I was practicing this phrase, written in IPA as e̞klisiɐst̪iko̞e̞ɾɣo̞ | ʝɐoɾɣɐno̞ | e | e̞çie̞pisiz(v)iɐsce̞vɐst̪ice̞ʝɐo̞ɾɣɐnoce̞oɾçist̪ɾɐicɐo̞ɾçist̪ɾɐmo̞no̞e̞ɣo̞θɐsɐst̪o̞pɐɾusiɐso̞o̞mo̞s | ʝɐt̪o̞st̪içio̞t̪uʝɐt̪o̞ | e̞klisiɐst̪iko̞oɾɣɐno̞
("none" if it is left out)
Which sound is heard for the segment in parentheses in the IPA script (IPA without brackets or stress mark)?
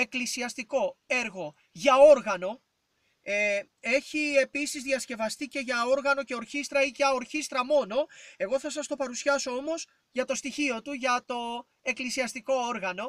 ð